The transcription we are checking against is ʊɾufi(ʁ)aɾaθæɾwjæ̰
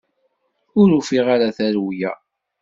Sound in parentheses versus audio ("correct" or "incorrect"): correct